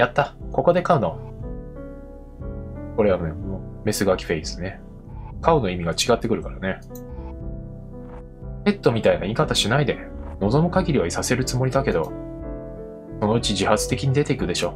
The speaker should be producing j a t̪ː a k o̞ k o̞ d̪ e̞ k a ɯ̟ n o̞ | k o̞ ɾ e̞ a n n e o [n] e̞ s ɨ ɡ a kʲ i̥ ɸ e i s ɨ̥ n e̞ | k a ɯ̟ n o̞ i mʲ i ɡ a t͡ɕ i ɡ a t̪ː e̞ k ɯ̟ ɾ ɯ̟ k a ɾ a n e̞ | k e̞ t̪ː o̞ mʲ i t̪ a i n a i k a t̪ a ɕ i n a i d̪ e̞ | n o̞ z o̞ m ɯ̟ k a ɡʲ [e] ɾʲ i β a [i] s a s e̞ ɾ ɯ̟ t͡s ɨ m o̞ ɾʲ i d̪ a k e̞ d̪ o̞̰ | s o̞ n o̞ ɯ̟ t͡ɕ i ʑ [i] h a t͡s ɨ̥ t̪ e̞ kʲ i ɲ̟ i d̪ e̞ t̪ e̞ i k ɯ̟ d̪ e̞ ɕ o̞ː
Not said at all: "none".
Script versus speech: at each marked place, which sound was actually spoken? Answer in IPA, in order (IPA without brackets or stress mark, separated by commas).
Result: m, i, i, i